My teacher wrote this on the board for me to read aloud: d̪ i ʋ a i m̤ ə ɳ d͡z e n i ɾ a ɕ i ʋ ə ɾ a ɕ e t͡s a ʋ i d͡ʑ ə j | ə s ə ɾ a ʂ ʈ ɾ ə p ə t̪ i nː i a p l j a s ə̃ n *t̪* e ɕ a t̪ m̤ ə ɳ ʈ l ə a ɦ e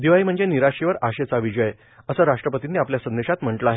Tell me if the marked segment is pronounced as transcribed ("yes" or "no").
no